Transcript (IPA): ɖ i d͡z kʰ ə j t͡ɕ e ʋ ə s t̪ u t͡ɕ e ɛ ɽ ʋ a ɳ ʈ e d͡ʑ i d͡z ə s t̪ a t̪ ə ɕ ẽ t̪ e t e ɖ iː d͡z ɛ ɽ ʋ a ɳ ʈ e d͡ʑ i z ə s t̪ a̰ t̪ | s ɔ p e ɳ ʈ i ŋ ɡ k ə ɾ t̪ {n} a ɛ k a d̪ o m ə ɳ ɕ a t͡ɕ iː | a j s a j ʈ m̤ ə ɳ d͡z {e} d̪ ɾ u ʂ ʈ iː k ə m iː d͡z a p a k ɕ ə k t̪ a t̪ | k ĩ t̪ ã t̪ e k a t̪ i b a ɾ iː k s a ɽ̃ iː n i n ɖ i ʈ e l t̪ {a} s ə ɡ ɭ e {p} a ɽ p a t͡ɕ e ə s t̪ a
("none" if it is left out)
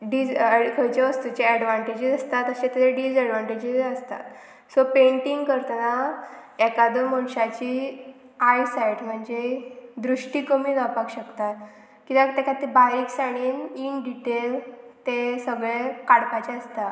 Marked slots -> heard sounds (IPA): n, e, e, k

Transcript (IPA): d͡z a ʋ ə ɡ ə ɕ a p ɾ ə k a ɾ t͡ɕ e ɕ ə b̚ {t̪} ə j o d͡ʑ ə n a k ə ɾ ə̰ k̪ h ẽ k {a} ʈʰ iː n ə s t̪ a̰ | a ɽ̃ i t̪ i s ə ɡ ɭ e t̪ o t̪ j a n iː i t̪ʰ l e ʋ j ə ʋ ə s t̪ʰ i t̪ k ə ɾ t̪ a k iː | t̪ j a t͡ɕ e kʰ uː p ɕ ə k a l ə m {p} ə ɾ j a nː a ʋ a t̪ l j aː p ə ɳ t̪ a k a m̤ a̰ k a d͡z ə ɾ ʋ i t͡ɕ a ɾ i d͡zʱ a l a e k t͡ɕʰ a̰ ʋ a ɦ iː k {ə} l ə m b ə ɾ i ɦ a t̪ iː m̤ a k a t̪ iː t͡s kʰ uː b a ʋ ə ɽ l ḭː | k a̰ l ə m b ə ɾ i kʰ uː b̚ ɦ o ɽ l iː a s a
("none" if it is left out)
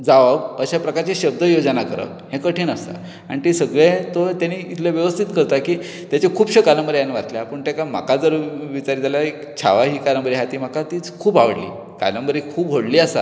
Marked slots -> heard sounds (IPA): d̪, ə, b, a

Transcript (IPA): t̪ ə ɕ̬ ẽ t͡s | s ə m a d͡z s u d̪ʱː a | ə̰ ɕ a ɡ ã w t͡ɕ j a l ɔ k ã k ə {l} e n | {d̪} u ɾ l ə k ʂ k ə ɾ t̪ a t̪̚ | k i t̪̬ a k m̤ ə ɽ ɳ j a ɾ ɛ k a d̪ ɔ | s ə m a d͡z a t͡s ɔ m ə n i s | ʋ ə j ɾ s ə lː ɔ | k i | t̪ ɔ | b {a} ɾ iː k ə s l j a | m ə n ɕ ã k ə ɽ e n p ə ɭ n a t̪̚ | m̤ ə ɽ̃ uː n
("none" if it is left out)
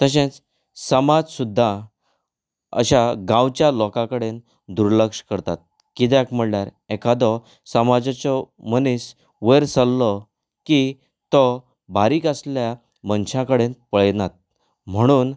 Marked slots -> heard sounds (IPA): ɽ, d̪, a

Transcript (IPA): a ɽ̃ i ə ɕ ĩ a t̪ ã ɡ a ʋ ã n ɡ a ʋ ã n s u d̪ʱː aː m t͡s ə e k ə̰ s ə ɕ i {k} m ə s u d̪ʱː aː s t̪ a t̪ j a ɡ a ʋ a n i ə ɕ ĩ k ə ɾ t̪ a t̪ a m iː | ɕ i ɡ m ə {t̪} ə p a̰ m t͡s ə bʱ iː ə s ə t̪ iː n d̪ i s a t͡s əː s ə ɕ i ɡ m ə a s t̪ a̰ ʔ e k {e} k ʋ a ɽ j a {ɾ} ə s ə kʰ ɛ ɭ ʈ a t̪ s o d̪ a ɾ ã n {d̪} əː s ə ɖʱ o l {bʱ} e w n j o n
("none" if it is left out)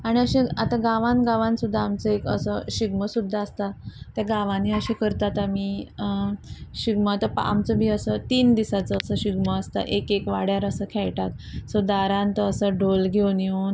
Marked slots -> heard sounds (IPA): ɡ, t̪, e, ɾ, t̪, ɡʱ

